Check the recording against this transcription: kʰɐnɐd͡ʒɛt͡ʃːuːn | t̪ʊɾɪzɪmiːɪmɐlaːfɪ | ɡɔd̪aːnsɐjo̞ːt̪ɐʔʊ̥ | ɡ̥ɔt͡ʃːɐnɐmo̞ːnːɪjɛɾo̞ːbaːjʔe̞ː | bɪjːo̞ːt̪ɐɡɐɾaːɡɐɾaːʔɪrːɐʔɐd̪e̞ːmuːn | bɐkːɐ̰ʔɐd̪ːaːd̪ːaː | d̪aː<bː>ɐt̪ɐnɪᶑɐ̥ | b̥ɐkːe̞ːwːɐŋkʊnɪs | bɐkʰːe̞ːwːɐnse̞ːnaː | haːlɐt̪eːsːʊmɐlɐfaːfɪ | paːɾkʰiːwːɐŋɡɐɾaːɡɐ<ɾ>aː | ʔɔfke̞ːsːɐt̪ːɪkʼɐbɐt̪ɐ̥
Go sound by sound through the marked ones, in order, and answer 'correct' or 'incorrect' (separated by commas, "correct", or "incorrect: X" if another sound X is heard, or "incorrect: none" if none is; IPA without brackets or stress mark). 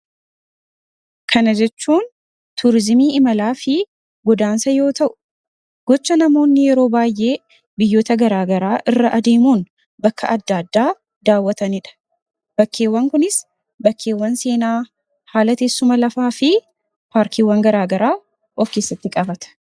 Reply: incorrect: wː, correct